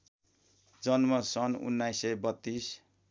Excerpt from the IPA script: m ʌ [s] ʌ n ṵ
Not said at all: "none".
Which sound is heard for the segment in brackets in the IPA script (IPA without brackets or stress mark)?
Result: s